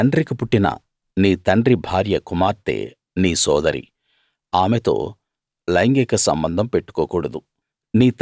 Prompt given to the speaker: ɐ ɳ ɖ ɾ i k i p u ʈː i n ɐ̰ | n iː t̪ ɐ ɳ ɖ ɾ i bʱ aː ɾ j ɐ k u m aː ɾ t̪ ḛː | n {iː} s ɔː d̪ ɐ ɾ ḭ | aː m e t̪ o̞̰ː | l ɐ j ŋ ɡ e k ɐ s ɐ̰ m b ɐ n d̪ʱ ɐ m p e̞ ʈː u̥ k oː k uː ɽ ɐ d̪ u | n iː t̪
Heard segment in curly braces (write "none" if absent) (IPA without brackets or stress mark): iː